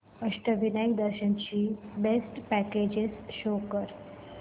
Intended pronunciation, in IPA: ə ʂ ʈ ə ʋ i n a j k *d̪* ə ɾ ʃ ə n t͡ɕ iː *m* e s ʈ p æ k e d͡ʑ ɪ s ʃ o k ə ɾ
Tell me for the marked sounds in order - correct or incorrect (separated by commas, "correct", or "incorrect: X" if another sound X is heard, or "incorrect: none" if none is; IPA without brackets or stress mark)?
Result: correct, incorrect: b